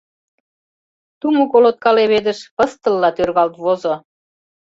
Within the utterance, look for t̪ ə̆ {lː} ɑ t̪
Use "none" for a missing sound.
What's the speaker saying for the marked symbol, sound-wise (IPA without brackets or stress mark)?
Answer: lː